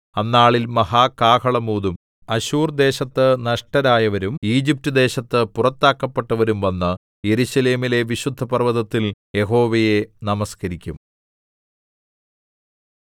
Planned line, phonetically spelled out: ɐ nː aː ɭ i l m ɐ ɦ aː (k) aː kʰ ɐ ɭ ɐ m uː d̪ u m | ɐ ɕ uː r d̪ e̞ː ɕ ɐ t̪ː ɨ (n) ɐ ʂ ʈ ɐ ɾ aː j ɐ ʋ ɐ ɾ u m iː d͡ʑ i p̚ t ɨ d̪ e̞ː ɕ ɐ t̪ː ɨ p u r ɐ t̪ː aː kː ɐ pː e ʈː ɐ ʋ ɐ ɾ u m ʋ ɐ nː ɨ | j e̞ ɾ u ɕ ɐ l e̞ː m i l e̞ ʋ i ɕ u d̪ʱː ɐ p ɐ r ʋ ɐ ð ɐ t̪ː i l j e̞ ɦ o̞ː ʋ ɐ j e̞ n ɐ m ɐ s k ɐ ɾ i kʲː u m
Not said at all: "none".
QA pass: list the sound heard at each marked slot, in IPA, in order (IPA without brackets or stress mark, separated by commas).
k, n